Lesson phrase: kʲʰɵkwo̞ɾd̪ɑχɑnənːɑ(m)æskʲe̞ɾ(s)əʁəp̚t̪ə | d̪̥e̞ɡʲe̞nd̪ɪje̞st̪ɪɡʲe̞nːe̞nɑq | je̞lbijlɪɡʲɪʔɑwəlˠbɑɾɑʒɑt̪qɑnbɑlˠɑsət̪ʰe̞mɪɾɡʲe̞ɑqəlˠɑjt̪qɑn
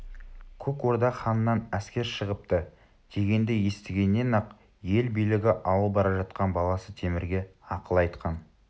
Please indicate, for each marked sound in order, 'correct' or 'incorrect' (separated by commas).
incorrect, incorrect